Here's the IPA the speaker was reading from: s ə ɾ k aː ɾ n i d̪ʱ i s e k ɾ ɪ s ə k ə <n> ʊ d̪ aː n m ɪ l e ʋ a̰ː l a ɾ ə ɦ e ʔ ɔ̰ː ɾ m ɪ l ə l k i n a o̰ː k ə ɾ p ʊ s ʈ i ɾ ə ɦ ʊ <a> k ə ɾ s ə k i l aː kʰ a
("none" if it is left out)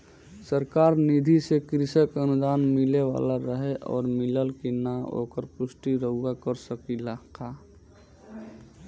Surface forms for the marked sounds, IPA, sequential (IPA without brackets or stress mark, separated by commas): n, a